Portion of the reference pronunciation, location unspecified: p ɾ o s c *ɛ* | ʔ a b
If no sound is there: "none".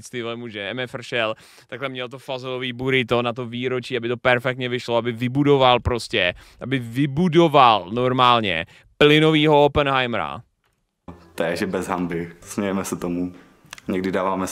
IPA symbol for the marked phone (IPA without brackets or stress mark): ɛ